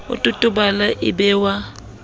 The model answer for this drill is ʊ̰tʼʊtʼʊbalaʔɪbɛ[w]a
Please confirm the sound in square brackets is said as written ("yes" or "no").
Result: yes